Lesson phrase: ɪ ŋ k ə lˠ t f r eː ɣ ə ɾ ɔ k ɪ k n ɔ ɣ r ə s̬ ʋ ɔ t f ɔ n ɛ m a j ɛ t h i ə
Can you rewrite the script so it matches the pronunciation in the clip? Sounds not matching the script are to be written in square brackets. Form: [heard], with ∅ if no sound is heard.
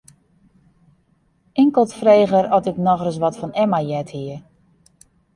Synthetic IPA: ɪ ŋ k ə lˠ t f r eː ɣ ə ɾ ɔ [t] ɪ k n ɔ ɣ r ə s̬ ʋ ɔ t f ɔ n ɛ m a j ɛ t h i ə